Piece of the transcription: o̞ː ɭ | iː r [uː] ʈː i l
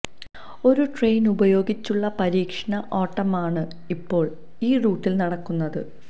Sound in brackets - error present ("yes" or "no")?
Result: no